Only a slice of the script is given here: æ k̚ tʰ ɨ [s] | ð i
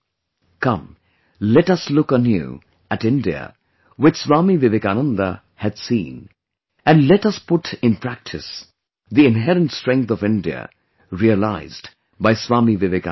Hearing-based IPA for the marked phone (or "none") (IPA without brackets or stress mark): s